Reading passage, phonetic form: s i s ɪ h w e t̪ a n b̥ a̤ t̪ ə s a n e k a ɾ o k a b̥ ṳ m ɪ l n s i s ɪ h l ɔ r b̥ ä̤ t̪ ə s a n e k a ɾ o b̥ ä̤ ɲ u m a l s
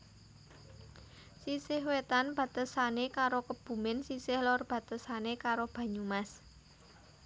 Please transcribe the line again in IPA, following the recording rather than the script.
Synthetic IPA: s i s ɪ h w e t̪ a n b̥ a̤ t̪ ə s a n e k a ɾ o k ə b̥ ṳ m ɪ n s i s ɪ h l ɔ r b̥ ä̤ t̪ ə s a n e k a ɾ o b̥ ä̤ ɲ u m a s